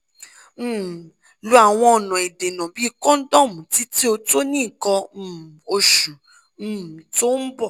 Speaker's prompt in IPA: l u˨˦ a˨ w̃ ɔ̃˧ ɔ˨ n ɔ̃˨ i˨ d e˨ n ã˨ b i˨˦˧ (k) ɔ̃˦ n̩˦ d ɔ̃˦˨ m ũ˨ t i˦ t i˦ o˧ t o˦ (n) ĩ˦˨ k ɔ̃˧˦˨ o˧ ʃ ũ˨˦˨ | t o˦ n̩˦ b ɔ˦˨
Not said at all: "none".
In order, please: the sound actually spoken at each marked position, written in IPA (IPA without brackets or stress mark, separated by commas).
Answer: k, n